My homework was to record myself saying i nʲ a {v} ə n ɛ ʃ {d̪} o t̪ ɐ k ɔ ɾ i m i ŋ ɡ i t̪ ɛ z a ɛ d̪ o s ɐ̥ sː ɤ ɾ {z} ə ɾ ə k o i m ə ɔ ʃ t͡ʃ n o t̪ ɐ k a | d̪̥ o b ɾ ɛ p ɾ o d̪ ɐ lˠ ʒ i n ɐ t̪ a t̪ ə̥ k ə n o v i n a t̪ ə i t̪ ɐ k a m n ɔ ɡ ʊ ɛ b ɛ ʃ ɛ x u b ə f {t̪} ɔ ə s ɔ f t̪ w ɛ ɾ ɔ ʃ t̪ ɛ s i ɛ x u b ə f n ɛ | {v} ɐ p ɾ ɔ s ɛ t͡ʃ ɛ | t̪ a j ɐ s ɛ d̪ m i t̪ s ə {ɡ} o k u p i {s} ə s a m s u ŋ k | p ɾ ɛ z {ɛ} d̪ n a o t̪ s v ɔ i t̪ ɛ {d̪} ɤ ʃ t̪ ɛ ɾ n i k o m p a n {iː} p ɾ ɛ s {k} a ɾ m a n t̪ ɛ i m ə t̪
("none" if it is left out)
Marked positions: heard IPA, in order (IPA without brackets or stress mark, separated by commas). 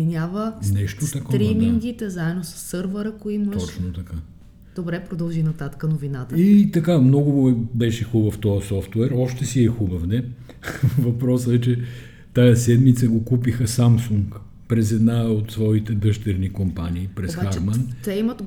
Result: v, t̪, v, t̪, v, ɡ, x, ɛ, d̪, iː, x